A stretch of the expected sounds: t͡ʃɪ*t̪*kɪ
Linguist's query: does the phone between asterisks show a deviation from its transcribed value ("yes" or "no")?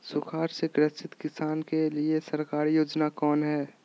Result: no